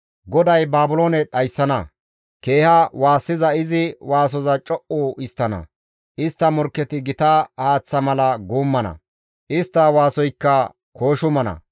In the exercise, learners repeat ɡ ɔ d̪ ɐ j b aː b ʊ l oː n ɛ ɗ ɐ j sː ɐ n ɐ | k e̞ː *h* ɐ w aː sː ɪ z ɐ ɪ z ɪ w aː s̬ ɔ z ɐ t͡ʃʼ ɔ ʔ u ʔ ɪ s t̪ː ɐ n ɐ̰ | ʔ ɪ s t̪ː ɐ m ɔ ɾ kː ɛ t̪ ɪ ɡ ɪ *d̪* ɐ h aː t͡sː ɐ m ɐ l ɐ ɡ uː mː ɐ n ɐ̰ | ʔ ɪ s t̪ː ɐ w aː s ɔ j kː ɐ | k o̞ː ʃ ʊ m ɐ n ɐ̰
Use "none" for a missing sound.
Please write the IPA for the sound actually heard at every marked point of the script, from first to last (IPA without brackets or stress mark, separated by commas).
h, t̪